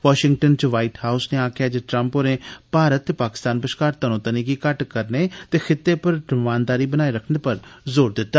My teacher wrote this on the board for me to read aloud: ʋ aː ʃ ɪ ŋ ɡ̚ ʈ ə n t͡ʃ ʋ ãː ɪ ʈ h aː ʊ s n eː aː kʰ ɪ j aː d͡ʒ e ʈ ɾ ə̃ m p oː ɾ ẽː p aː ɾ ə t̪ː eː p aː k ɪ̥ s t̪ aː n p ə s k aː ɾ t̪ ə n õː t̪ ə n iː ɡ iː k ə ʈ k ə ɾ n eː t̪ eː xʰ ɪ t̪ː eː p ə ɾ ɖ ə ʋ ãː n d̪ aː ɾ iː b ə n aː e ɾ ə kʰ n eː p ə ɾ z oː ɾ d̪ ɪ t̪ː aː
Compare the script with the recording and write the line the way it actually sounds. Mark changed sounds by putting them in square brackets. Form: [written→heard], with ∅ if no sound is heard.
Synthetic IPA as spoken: ʋ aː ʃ ɪ ŋ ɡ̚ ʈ ə n t͡ʃ ʋ [ãː→aː] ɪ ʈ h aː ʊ s n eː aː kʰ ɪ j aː d͡ʒ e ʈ ɾ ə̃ m p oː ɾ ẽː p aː ɾ ə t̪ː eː p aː k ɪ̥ s t̪ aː n p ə [s→ʃ] k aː ɾ t̪ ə n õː t̪ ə n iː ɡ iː k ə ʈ k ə ɾ n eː t̪ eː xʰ ɪ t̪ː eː p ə ɾ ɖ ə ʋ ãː n d̪ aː ɾ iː b ə n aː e ɾ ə kʰ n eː p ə ɾ z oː ɾ d̪ ɪ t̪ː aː